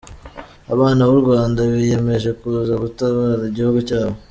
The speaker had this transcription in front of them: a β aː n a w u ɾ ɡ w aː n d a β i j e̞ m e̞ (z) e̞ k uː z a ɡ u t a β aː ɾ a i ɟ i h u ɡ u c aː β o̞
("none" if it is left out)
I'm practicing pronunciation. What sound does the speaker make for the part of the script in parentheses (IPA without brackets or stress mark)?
ʒ